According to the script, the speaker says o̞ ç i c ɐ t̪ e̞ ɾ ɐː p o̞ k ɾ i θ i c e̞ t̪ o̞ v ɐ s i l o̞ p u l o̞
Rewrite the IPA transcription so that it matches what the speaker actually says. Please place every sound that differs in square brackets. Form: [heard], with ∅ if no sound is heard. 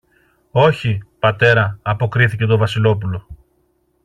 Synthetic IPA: o̞ ç i [p] ɐ t̪ e̞ ɾ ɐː p o̞ k ɾ i θ i c e̞ t̪ o̞ v ɐ s i l o̞ p u l o̞